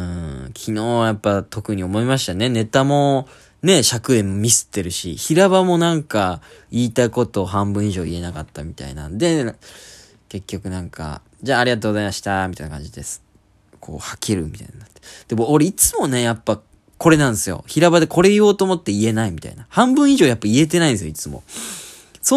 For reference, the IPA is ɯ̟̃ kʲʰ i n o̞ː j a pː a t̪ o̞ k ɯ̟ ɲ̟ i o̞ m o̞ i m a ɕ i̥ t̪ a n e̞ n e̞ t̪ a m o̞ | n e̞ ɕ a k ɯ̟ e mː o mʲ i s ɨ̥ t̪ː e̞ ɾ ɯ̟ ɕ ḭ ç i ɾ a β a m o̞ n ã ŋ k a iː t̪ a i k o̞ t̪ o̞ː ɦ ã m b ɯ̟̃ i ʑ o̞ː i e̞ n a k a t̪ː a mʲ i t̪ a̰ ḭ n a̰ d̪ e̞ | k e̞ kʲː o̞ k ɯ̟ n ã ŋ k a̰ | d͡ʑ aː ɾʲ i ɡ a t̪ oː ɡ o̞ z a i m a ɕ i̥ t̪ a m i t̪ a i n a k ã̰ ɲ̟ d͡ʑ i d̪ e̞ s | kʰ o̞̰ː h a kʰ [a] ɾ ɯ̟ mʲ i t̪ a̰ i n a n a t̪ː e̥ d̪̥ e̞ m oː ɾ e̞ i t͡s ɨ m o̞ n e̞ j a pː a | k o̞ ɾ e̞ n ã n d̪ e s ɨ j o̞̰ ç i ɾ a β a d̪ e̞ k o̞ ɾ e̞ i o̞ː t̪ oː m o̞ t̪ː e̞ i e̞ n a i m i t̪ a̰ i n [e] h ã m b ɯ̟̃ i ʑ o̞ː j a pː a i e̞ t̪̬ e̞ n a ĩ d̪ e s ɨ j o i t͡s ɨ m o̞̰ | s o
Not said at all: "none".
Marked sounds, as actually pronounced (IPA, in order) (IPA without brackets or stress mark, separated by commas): e, a